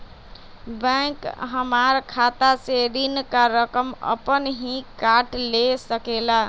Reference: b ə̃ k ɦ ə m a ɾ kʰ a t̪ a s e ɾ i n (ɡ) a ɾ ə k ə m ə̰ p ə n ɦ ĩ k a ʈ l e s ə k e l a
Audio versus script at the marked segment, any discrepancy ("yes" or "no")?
yes